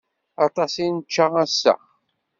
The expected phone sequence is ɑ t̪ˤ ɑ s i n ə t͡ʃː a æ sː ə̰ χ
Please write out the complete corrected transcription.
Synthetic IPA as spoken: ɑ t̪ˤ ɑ s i n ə t͡ʃː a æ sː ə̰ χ